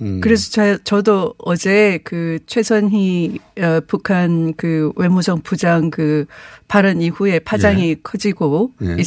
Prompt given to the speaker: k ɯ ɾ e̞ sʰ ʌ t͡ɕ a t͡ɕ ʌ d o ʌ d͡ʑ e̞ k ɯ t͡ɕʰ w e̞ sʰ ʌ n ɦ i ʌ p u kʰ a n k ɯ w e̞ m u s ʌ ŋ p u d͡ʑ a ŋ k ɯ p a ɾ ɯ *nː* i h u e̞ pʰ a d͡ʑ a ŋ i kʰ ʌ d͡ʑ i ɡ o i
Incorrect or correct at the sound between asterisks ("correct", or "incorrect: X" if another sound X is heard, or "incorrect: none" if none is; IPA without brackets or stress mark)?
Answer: incorrect: n